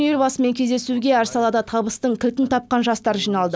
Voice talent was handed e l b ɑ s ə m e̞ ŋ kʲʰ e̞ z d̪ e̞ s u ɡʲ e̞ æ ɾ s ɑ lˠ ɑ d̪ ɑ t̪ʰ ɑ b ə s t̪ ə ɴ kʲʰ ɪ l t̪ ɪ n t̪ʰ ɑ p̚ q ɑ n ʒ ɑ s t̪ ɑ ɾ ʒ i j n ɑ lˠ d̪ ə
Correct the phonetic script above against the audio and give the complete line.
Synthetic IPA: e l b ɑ s ə m e̞ ŋ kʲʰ e̞ z d̪ e̞ s u ɡʲ e̞ æ ɾ s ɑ lˠ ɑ d̪ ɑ t̪ʰ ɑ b ə s t̪ ə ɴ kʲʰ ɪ l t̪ ɪ n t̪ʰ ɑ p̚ q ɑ n ʒ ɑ s t̪ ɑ ɾ ʒ i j n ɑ lˠ d̪ ə